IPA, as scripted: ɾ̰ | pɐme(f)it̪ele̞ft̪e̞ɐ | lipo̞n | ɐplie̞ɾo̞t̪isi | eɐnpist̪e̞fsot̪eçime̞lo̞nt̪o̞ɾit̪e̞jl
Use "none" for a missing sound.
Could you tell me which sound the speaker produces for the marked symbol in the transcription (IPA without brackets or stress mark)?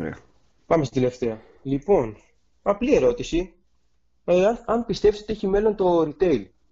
s